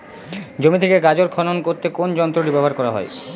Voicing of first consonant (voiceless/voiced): voiced